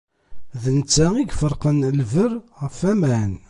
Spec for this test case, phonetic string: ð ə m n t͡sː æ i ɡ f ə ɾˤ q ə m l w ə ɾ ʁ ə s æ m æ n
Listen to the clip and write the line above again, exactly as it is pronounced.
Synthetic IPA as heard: ð ə n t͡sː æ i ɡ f ə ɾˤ q ə n l v ə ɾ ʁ ə f æ m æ n